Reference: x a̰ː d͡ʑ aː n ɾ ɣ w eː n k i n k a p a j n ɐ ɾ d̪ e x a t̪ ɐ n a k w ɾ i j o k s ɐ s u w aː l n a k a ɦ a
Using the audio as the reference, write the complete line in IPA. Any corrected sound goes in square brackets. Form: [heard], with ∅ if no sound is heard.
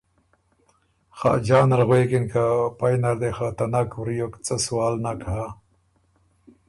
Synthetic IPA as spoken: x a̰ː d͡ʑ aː n ɾ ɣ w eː [∅] k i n k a p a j n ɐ ɾ d̪ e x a t̪ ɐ n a k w ɾ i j o k [t͡s] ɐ s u w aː l n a k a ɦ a